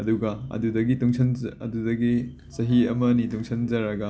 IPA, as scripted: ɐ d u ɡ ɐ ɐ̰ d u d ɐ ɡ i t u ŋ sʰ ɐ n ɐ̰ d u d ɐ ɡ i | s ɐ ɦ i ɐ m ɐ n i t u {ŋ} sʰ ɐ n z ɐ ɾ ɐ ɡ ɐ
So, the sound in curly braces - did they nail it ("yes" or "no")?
yes